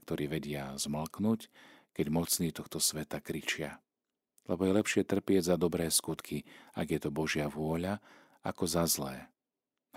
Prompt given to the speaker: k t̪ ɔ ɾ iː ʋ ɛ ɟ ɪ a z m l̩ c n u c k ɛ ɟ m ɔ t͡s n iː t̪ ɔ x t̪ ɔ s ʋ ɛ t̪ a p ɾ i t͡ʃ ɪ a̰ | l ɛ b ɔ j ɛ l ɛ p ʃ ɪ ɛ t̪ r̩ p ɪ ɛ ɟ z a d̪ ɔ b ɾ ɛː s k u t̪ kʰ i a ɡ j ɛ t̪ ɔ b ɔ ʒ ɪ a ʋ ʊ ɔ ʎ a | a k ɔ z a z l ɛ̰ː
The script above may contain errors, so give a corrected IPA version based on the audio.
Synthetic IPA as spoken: k t̪ ɔ ɾ iː ʋ ɛ ɟ ɪ a z m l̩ k n u c k ɛ ɟ m ɔ t͡s n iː t̪ ɔ x t̪ ɔ s ʋ ɛ t̪ a k ɾ i t͡ʃ ɪ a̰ | l ɛ b ɔ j ɛ l ɛ p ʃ ɪ ɛ t̪ r̩ p ɪ ɛ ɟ z a d̪ ɔ b ɾ ɛː s k u t̪ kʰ i a ɡ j ɛ t̪ ɔ b ɔ ʒ ɪ a ʋ ʊ ɔ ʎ a | a k ɔ z a z l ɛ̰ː